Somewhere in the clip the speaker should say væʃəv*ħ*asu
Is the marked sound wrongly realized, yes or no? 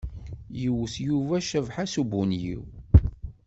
no